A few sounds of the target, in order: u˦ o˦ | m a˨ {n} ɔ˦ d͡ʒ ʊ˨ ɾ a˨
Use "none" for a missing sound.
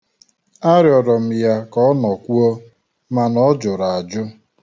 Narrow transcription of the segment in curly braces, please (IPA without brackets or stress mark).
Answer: n